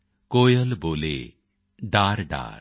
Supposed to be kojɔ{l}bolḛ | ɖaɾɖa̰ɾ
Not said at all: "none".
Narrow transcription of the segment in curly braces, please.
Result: l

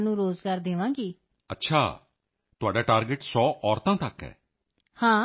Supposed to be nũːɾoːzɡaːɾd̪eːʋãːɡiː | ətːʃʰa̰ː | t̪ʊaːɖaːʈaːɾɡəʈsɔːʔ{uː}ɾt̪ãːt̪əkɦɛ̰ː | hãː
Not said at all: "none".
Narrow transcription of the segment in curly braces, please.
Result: ɔː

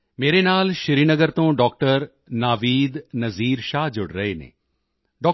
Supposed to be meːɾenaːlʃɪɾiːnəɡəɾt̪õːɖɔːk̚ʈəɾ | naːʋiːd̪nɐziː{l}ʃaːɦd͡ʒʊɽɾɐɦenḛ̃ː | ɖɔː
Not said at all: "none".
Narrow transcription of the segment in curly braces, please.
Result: ɾ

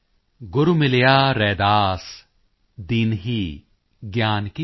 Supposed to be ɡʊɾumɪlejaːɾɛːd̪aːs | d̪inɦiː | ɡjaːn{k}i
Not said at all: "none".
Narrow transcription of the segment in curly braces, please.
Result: k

